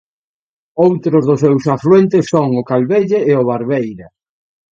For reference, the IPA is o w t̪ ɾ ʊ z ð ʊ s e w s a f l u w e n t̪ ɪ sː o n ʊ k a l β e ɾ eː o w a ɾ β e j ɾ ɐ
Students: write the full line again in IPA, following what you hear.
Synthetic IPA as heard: o w t̪ ɾ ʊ z ð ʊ s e w s a f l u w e n t̪ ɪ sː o ŋ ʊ k a l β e ʎ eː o β a ɾ β e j ɾ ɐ

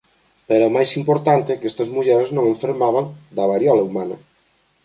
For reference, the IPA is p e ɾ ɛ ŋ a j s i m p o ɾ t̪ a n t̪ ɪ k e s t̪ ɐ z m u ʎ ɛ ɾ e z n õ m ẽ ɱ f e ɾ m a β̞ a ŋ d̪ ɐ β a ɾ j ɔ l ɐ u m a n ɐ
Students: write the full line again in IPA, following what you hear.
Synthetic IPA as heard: p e ɾ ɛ m a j s i m p o ɾ t̪ a n t̪ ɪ k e s t̪ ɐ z m u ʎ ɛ ɾ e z n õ ŋ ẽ ɱ f e ɾ m a β̞ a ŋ d̪ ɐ β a ɾ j ɔ l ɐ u m a n ɐ

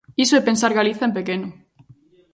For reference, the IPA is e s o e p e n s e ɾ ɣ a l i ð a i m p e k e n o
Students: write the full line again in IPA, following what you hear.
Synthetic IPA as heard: i s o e p e n s a ɾ ɣ a l i θ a e m p e k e n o

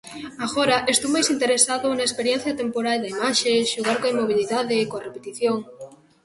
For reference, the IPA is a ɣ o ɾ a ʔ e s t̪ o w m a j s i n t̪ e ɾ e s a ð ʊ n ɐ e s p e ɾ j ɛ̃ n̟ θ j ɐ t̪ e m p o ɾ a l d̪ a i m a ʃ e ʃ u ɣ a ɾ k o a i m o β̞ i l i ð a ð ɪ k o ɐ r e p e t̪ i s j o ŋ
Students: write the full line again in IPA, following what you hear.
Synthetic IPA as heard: a ɣ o ɾ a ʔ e s t̪ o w m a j s i n t̪ e ɾ e s a ð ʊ n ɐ e s p e ɾ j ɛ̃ n̟ θ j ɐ t̪ e m p o ɾ a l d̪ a i m a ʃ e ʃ u ɣ a ɾ k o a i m o β̞ i l i ð a ð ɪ k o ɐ r e p e t̪ i θ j o ŋ

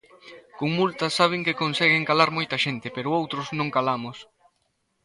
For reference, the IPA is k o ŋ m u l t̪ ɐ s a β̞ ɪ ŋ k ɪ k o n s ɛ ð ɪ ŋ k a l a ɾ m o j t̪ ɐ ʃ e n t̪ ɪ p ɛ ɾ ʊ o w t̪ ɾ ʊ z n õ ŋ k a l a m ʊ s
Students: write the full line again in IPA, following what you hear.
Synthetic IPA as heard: k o ŋ m u l t̪ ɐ s a β̞ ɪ ŋ k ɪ k o n s ɛ ɣ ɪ ŋ k a l a ɾ m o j t̪ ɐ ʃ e n t̪ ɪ p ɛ ɾ ʊ o w t̪ ɾ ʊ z n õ ŋ k a l a m ʊ s

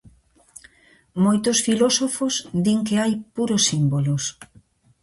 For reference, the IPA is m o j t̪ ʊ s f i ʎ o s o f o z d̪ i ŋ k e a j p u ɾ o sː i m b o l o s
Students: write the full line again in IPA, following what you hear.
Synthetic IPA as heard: m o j t̪ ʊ s f i l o s o f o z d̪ i ŋ k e a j p u ɾ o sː i m b o l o s

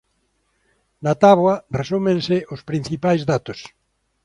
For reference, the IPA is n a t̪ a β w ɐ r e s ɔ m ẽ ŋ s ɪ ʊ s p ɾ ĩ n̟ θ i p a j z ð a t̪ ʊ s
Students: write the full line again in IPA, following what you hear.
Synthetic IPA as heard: n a t̪ a β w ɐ r e s u m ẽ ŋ s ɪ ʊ s p ɾ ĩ n̟ θ i p a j z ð a t̪ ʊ s

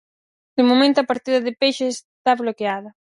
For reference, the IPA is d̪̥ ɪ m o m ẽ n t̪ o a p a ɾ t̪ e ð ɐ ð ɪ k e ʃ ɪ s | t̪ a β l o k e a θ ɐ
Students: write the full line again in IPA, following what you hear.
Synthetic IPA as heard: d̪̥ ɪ m o m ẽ n t̪ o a p a ɾ t̪ i ð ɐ ð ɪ p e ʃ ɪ s | t̪ a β l o k e a ð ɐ

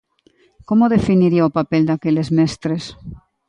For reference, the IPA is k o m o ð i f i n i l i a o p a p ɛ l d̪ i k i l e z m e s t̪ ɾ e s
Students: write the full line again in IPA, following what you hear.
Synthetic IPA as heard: k o m o ð e f i n i ɾ i a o p a p e l d̪ a k e l e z m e s t̪ ɾ e s

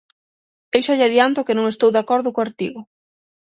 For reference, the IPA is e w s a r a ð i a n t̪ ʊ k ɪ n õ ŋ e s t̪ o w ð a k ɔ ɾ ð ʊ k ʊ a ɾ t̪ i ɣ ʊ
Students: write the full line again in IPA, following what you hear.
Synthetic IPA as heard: e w ʃ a ʎ a ð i a n t̪ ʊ k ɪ n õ ŋ e s t̪ o w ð a k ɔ ɾ ð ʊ k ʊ a ɾ t̪ i ɣ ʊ

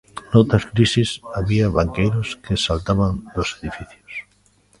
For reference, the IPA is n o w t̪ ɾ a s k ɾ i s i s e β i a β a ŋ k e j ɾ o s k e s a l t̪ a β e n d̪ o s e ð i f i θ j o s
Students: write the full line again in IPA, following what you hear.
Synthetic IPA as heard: n o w t̪ ɾ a s k ɾ i s i s a β i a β a ŋ k e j ɾ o s k e s a l t̪ a β a n d̪ o s e ð i f i θ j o s

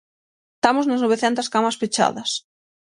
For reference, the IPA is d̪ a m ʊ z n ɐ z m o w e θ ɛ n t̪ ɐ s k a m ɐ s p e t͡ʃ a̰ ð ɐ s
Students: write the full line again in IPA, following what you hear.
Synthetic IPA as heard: t̪ a m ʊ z n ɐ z n o β e θ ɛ n t̪ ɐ s k a m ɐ s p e t͡ʃ a̰ ð ɐ s

